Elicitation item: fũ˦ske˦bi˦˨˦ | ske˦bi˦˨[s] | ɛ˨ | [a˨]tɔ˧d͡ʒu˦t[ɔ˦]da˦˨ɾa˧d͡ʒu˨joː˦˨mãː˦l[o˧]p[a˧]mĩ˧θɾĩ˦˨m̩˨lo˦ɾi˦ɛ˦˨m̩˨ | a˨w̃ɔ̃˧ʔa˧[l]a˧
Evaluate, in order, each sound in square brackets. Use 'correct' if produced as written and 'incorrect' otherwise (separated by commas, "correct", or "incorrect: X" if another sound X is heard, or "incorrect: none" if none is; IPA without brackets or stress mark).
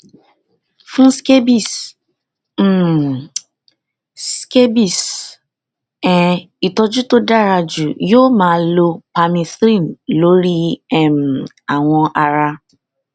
correct, incorrect: i˨, incorrect: o˦, correct, correct, incorrect: ɾ